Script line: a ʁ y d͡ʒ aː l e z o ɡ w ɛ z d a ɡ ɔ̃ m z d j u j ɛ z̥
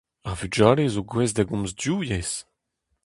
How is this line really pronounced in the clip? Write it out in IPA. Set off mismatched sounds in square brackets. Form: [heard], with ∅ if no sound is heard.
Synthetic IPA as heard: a [v] y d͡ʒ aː l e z o ɡ w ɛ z d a ɡ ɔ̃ m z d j u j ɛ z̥